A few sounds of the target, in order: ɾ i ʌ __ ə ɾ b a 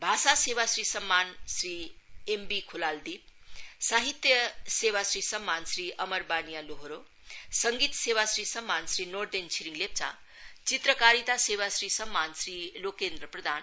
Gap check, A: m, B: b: A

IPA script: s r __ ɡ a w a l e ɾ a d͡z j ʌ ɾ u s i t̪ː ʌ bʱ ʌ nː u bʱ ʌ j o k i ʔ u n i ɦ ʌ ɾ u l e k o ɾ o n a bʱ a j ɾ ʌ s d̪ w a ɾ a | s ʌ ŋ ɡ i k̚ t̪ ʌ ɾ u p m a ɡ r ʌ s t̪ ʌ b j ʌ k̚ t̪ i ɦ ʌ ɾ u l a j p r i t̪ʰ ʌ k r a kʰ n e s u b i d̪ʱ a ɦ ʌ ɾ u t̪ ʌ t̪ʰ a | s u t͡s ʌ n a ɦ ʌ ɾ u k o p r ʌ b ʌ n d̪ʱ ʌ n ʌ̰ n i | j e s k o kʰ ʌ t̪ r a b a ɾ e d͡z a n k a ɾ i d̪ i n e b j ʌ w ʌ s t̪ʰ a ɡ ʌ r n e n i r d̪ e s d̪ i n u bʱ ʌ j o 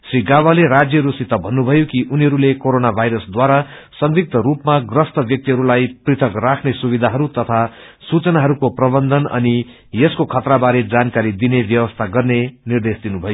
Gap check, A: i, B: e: A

